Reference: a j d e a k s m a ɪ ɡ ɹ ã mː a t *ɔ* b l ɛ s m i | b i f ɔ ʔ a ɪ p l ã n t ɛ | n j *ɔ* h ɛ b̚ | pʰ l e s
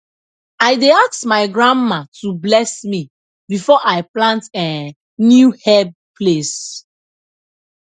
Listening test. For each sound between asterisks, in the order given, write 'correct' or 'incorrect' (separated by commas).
incorrect, incorrect